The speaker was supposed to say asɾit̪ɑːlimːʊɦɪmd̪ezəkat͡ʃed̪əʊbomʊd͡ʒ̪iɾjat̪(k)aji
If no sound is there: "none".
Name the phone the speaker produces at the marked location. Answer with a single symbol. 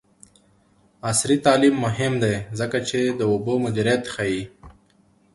x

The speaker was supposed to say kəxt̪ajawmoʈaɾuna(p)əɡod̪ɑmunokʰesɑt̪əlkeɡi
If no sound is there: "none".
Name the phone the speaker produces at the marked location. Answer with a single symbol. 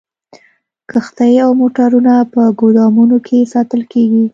p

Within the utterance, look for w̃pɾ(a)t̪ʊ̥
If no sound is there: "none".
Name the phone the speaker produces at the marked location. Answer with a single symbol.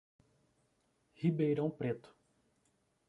e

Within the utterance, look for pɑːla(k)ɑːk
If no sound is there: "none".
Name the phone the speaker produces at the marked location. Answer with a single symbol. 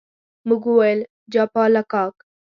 k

